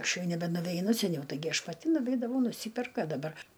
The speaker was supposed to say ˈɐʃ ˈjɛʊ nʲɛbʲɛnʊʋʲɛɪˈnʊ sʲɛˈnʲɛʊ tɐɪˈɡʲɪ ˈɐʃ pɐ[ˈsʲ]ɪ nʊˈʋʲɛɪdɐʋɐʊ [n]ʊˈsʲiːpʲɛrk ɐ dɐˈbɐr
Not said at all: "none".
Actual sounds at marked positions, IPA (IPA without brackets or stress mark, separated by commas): tʲ, n